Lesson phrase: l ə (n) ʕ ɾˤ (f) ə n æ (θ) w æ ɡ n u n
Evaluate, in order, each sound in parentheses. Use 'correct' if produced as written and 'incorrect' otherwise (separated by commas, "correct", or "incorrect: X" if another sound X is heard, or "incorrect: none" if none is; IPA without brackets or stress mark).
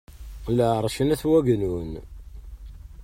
incorrect: none, incorrect: ʃ, correct